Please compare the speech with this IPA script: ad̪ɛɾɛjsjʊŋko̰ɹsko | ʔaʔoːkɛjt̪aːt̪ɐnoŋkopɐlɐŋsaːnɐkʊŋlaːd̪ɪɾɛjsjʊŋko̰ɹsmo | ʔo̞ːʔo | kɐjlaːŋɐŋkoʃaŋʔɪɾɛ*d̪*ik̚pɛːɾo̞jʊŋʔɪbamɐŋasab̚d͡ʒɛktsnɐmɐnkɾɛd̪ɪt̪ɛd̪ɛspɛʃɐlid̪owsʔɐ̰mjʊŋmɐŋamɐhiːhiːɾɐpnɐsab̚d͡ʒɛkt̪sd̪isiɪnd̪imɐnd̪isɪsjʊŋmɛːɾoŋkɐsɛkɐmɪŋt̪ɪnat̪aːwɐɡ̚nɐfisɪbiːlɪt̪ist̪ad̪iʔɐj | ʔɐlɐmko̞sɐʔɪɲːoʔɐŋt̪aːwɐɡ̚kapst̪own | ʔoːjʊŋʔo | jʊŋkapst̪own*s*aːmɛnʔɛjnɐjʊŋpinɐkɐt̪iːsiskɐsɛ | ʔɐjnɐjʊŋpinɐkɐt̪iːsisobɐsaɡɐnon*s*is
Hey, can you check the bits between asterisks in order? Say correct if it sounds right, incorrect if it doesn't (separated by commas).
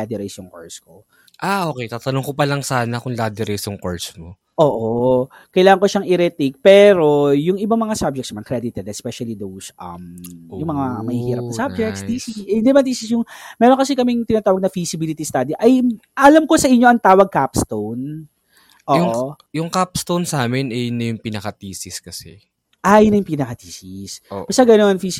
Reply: incorrect, correct, incorrect